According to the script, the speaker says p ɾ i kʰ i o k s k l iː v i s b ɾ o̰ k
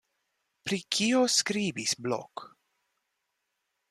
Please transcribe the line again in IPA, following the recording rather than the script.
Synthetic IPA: p ɾ i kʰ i o s k ɾ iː b i s b l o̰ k